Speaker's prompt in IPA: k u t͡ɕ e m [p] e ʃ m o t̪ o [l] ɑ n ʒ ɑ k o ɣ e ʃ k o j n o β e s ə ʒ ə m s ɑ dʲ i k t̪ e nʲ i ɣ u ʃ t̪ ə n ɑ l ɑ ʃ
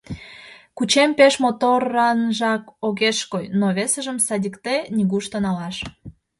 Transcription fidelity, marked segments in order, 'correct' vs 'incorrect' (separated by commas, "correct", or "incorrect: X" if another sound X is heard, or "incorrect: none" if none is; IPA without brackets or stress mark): correct, incorrect: r